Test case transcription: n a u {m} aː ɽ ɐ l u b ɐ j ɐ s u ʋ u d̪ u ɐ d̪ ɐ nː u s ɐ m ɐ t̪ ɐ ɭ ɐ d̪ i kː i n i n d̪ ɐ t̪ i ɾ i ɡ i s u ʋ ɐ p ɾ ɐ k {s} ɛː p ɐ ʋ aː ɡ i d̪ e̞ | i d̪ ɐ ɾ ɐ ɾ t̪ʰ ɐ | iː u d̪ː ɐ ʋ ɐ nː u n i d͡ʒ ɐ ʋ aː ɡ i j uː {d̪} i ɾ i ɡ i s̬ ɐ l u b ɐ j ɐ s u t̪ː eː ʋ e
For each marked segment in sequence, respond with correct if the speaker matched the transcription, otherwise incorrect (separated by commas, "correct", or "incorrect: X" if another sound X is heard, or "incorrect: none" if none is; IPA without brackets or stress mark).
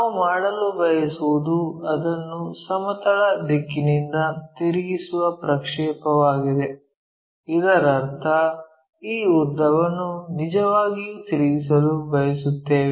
correct, incorrect: ʂ, incorrect: t̪